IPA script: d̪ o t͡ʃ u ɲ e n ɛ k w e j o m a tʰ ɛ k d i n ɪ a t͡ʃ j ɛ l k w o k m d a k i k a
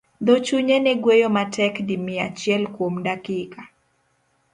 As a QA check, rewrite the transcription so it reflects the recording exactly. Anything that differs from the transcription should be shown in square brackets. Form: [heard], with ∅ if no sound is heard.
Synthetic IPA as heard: d̪ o t͡ʃ u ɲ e n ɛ [ɡ] w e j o m a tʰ ɛ k d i [m] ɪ a t͡ʃ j ɛ l k w o [∅] m d a k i k a

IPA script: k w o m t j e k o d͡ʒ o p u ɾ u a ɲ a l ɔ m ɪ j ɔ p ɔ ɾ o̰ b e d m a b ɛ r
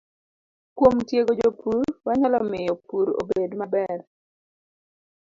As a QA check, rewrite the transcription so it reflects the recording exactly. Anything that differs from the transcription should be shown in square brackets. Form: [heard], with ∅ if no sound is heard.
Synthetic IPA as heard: k w o m t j e [ɡ] o d͡ʒ o p u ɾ [w] a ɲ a l ɔ m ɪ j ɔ p [u] ɾ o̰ b e d m a b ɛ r

